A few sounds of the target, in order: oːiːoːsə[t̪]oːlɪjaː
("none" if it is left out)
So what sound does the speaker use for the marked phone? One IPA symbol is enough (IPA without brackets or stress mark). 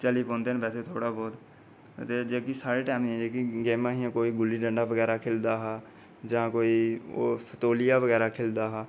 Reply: t̪